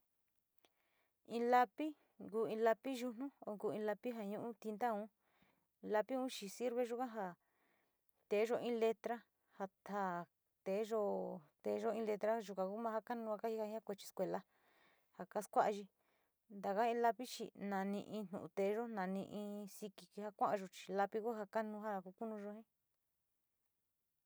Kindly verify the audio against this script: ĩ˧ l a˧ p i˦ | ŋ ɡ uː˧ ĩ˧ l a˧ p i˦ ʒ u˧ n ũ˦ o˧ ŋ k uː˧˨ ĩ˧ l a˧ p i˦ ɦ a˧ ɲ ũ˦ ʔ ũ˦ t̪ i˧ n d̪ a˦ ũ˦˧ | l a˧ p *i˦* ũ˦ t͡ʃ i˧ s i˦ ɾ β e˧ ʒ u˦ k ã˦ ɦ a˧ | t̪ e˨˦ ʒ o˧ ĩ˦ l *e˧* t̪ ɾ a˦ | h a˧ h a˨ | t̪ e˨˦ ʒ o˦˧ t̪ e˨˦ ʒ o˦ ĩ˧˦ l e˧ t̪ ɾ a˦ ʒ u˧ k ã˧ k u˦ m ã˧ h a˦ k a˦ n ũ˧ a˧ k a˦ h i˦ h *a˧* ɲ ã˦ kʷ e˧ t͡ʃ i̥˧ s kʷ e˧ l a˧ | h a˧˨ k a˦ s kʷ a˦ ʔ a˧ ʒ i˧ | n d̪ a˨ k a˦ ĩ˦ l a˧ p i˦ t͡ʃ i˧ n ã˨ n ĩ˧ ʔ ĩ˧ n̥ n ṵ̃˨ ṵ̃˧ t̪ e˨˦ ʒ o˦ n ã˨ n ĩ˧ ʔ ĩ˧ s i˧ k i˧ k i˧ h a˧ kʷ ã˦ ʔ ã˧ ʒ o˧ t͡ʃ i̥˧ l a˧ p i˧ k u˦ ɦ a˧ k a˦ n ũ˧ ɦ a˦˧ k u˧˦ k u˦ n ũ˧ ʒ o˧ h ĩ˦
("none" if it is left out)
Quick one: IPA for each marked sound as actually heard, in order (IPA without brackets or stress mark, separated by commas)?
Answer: i˦, e˧, a˧